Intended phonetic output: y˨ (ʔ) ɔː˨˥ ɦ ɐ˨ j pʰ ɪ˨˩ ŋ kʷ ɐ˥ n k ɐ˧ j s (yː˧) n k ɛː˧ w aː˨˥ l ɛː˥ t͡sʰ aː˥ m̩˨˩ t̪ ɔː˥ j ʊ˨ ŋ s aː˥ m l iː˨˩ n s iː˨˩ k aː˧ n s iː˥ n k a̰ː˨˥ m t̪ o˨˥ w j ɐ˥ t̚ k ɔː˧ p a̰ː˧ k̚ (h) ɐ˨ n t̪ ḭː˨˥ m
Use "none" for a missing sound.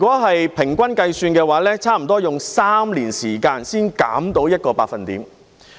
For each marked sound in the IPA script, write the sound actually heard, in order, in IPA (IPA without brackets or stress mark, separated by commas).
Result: k, yː˧, f